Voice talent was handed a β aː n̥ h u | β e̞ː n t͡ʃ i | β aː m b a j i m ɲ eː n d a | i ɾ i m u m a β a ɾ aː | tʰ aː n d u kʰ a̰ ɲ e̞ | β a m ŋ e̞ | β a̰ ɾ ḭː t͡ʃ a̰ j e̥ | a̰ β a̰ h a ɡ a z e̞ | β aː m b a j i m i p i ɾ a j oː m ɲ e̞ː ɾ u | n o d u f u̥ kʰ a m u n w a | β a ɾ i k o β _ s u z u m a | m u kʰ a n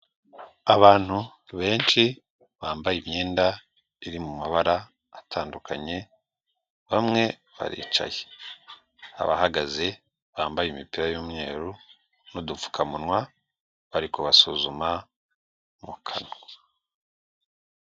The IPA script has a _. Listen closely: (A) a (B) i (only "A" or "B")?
A